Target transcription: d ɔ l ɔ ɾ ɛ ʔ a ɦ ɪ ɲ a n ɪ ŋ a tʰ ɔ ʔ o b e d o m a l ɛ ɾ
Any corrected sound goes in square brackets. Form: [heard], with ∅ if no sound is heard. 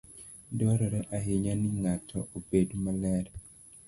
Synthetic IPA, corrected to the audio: d ɔ [ɾ] ɔ ɾ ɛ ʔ a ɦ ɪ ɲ a n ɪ ŋ a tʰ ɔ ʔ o b e d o m a l ɛ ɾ